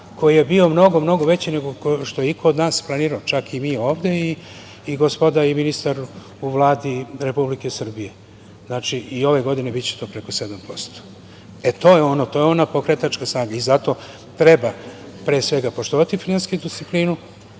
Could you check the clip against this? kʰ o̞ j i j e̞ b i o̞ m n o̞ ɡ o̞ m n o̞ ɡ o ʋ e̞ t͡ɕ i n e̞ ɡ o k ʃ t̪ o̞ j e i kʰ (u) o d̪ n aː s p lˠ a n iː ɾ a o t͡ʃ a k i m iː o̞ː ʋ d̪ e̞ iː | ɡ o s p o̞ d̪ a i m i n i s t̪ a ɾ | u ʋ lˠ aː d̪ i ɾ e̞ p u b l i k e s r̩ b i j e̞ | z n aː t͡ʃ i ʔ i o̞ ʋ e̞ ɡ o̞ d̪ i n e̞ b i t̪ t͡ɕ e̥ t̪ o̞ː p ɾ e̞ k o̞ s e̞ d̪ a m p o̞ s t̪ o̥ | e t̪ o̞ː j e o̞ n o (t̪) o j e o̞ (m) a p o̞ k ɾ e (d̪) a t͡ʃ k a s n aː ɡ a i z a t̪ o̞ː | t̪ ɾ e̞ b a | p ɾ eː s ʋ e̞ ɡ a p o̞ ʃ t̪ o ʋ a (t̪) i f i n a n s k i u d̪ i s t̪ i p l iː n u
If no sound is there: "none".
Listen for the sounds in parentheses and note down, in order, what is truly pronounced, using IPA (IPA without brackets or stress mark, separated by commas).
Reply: o, t̪, n, t̪, t̪